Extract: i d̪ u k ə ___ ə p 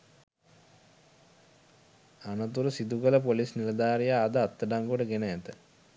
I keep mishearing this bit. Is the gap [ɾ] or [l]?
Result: l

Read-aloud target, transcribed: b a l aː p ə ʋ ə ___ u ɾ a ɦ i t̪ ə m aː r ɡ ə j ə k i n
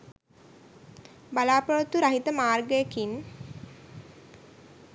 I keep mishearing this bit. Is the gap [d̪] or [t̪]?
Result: t̪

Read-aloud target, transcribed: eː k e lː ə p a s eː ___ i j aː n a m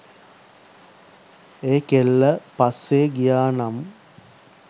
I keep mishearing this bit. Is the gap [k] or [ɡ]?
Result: ɡ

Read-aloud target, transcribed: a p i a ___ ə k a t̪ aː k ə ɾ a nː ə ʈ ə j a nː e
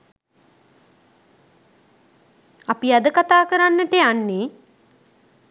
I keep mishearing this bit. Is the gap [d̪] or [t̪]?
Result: d̪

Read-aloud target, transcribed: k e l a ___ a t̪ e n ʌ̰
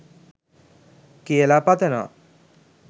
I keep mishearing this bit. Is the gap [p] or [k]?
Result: p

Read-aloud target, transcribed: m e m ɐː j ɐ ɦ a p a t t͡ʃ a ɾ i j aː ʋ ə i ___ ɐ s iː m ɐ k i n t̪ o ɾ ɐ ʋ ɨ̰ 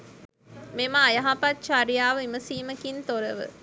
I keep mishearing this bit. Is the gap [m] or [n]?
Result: m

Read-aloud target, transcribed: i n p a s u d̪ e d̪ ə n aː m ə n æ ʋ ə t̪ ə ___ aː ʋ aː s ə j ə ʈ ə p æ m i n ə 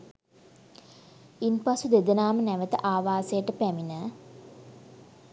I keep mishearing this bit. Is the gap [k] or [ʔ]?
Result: ʔ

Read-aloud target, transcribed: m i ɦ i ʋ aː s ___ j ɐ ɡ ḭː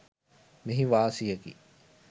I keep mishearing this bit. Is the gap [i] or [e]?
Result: i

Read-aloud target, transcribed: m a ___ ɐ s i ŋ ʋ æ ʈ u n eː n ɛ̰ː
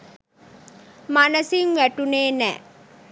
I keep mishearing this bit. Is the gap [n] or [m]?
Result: n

